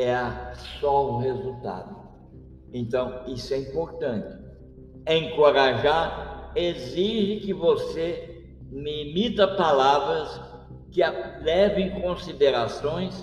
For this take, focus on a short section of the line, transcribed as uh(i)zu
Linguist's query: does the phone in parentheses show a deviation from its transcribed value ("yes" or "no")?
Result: yes